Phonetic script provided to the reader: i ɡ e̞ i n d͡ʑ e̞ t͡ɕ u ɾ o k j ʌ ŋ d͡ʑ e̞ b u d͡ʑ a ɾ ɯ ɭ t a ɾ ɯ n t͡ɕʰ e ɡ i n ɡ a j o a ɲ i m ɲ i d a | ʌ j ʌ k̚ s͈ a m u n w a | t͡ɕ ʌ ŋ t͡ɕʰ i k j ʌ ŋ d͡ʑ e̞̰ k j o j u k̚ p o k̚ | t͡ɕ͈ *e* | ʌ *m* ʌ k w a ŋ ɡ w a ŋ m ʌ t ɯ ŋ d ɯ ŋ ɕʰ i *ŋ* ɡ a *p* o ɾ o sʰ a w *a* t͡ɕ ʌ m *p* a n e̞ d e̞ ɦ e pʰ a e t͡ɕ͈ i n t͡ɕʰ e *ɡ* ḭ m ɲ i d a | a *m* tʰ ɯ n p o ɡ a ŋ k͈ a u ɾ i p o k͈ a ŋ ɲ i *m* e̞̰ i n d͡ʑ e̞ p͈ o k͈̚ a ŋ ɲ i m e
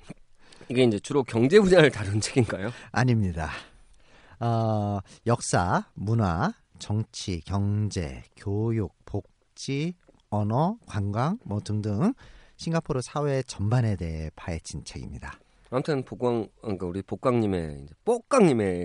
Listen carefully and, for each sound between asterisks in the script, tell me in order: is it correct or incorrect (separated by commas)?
incorrect, incorrect, correct, incorrect, incorrect, incorrect, correct, correct, correct